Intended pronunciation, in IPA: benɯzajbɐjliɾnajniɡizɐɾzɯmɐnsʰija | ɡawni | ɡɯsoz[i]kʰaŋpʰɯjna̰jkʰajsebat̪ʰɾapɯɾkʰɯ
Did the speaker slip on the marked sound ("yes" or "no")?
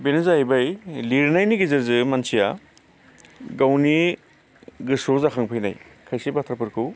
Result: yes